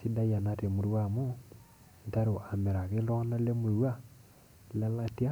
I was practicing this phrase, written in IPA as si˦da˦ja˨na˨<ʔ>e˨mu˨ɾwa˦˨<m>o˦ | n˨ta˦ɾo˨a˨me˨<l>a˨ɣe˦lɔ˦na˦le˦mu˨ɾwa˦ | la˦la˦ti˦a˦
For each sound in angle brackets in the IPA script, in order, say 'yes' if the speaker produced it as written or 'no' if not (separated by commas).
no, yes, no